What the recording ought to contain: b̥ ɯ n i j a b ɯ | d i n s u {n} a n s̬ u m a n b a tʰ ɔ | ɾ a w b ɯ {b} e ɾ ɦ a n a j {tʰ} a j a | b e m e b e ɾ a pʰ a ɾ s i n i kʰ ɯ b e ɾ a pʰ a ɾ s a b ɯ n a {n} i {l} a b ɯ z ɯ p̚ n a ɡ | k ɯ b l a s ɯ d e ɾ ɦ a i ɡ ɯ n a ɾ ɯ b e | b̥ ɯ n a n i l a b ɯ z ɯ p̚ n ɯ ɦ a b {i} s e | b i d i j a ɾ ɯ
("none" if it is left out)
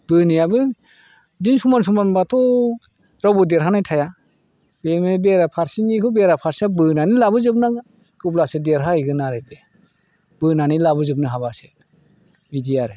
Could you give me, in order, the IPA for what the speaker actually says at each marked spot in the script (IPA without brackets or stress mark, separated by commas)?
m, d, tʰ, n, l, a